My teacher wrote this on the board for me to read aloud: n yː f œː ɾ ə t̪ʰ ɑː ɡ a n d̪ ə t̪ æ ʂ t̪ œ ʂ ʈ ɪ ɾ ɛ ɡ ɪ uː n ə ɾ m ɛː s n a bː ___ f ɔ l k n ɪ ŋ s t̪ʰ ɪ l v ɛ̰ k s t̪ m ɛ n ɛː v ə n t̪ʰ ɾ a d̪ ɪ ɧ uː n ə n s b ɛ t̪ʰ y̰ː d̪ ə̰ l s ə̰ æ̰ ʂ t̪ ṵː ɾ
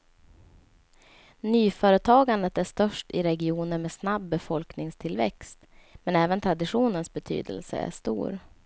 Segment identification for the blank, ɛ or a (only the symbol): ɛ